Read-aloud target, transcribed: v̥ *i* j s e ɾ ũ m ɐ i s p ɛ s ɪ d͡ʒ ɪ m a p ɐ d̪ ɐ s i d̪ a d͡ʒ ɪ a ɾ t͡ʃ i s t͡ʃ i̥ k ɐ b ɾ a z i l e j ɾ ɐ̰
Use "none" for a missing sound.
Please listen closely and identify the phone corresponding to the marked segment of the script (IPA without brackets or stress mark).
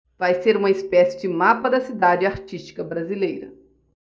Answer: a